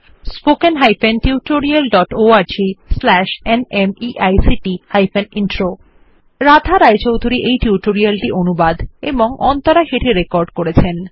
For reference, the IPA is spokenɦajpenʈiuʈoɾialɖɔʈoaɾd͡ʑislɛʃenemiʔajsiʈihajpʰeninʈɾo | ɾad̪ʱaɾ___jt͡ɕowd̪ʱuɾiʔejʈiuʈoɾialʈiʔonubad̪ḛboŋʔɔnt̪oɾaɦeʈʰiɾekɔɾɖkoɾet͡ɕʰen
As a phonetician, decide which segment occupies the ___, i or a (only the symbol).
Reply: a